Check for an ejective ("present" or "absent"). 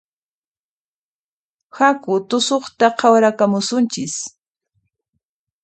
absent